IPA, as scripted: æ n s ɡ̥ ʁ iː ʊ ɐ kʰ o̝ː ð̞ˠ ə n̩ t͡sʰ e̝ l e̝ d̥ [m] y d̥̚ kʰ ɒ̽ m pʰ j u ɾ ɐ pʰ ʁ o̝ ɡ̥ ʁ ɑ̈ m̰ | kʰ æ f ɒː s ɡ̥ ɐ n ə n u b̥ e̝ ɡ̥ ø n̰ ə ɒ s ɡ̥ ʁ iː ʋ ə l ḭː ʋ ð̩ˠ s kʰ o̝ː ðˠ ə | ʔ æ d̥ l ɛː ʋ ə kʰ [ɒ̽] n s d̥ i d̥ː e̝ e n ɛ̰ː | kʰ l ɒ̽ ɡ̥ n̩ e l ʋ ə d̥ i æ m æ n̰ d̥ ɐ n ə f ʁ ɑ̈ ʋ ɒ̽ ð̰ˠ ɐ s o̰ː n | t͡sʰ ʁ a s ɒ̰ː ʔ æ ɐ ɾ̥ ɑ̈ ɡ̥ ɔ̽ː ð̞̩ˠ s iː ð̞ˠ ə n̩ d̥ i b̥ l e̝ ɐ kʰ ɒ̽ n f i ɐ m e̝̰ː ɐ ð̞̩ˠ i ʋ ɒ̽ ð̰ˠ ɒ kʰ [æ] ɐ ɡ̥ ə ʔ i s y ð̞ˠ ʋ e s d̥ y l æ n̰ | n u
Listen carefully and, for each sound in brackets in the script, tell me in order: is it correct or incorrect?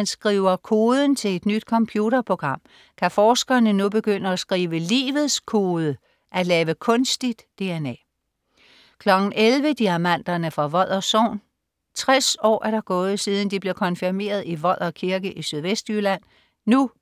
incorrect: n, incorrect: ɔ̽, incorrect: i

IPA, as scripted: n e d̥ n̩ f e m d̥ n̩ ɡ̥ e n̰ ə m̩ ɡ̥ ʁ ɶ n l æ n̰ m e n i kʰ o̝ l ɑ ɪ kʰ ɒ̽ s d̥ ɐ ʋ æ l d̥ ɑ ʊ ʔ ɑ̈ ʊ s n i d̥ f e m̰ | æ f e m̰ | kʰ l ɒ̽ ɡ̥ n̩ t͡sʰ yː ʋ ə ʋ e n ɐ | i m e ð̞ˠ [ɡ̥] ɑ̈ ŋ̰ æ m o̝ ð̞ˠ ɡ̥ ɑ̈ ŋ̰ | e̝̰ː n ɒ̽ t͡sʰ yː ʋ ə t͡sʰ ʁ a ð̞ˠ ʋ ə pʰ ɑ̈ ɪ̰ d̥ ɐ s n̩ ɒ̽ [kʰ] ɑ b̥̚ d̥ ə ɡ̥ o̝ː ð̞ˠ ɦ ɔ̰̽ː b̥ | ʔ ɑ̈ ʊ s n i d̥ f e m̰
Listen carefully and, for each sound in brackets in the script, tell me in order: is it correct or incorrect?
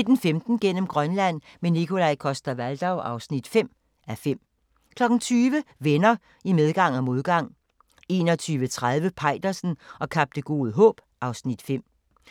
correct, correct

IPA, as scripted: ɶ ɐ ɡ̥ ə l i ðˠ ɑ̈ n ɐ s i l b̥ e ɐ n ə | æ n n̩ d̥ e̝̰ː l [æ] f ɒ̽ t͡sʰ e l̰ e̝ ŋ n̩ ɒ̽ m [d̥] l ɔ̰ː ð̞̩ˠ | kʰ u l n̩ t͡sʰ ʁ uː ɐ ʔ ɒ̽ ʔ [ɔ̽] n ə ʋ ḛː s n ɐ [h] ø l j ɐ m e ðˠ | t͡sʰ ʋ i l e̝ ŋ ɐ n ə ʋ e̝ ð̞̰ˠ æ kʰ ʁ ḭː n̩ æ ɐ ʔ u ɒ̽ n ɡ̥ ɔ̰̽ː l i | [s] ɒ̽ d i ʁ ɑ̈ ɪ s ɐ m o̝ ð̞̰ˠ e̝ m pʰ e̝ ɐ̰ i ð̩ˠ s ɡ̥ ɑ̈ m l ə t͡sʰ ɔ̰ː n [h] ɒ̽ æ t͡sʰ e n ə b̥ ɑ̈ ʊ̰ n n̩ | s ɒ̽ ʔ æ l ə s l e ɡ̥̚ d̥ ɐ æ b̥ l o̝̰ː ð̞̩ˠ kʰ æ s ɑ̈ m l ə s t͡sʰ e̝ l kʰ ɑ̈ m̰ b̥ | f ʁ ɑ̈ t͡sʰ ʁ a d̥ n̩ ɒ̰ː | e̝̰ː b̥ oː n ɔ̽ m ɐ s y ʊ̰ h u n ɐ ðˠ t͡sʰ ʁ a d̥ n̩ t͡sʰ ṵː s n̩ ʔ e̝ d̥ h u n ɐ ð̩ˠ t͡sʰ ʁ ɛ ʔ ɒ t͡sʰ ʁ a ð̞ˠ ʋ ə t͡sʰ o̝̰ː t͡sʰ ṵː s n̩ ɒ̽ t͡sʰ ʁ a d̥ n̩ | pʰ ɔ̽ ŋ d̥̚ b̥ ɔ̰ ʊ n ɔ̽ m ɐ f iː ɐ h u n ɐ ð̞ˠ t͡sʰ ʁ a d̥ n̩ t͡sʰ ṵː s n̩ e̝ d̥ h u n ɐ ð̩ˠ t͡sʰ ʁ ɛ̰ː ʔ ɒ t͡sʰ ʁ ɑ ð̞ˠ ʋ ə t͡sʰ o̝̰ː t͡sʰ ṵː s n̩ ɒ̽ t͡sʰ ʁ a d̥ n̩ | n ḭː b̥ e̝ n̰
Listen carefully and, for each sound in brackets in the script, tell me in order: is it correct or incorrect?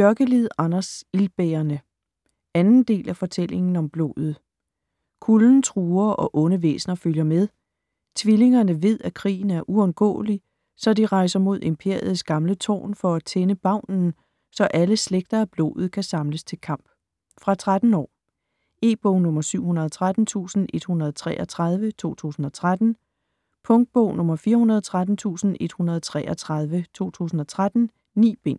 correct, incorrect: b̥, correct, incorrect: f, correct, incorrect: f

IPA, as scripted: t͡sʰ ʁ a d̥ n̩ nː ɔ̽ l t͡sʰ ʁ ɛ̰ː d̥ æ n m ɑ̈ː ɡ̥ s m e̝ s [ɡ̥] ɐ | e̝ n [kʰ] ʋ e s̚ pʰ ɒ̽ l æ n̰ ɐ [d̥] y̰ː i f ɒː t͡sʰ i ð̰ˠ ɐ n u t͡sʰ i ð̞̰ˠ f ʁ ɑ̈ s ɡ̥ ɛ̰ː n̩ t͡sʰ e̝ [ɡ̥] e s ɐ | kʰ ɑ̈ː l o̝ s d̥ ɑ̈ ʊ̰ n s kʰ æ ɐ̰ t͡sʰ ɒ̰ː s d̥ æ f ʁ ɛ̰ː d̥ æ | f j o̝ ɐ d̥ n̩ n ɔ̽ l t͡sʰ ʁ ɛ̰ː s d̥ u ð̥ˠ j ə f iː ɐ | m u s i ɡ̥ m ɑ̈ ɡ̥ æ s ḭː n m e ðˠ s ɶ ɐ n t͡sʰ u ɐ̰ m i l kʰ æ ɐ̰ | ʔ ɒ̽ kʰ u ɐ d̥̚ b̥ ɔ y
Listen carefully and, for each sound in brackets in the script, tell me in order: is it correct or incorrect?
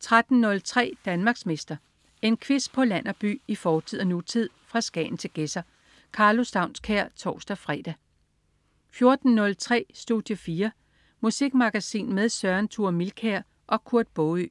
incorrect: d̥, correct, incorrect: b̥, correct

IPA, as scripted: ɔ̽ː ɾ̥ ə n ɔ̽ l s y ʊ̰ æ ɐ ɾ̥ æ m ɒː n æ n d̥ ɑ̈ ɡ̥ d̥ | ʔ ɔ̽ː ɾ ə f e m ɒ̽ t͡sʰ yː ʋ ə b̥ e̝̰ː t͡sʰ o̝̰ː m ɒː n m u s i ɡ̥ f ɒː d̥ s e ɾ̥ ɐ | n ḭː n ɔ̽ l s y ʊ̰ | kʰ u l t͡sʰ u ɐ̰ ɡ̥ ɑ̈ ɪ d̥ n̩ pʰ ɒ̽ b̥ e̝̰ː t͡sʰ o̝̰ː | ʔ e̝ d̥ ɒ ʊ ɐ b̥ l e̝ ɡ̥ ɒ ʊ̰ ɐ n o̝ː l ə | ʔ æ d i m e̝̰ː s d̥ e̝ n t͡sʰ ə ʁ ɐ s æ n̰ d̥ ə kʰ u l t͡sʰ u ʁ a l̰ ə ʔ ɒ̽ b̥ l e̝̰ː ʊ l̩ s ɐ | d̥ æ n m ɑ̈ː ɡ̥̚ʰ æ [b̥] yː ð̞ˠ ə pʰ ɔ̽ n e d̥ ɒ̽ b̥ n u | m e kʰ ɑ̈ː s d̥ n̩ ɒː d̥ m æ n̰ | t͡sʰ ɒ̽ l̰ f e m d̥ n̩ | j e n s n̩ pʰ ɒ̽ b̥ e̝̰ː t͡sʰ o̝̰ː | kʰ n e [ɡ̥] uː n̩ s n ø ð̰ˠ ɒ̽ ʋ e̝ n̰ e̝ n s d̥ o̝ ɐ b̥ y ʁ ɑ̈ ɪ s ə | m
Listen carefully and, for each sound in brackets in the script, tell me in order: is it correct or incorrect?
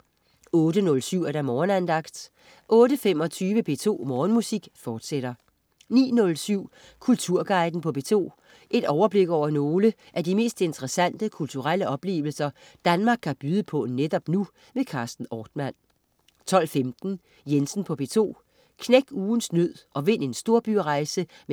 correct, correct

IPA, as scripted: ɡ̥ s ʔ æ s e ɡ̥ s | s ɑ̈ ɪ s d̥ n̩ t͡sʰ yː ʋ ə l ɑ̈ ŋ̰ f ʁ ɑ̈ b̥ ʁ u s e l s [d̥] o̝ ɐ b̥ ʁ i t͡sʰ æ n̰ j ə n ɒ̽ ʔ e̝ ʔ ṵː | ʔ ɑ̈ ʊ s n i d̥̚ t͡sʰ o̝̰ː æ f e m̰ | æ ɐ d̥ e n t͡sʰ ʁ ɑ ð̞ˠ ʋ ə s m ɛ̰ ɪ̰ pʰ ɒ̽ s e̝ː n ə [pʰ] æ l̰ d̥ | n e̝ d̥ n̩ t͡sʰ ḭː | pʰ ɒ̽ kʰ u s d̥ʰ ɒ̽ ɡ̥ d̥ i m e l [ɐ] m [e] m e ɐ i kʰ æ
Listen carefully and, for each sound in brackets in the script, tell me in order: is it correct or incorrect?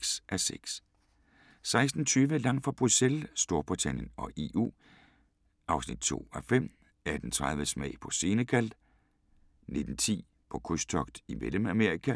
correct, incorrect: kʰ, incorrect: ə, incorrect: æ

